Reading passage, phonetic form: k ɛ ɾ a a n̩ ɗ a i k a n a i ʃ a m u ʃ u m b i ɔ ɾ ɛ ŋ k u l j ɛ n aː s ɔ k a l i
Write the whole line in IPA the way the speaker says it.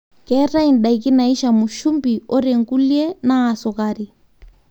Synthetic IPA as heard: k ɛ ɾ a i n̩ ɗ a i k i n a i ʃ a m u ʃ u m b i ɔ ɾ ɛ ŋ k u l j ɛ n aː s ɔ k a ɾ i